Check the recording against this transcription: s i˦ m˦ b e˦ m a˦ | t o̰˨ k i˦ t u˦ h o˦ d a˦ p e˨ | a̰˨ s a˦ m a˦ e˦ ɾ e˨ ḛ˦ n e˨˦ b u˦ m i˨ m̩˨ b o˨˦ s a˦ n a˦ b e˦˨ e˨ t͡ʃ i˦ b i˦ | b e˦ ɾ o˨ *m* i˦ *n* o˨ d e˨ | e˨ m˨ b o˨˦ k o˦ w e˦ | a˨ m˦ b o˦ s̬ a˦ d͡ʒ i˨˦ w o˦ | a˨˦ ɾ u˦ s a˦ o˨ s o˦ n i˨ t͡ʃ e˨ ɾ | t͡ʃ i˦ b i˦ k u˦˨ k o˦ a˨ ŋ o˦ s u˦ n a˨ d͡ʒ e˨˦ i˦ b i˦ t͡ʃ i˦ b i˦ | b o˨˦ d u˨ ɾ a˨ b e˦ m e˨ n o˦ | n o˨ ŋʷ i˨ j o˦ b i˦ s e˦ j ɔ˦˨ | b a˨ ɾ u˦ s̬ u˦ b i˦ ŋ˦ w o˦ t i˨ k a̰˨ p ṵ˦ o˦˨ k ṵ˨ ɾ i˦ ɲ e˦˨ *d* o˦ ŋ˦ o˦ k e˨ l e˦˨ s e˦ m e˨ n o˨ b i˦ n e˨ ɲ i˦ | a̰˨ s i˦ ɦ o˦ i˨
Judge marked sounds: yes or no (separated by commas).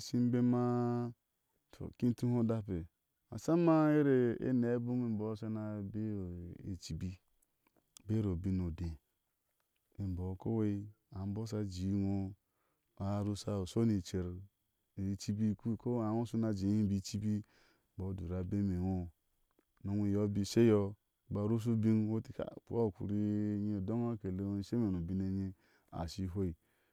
no, yes, yes